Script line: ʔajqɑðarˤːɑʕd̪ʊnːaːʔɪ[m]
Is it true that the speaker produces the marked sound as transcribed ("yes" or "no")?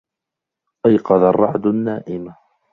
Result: yes